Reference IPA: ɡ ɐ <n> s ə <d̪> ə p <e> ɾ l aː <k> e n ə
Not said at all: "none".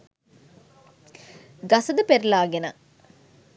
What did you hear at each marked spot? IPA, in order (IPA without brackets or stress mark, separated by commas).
none, d̪, e, ɡ